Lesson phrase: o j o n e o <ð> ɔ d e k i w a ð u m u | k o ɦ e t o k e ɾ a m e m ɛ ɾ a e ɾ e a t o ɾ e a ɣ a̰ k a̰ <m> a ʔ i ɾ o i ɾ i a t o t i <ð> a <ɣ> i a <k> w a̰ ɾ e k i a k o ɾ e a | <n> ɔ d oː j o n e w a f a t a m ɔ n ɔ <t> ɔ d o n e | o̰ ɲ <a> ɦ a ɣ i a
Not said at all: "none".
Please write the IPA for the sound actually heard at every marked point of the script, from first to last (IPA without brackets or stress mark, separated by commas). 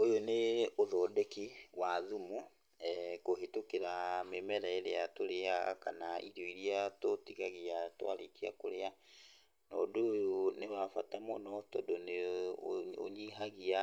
ð, n, ɣ, ɣ, t, n, t, i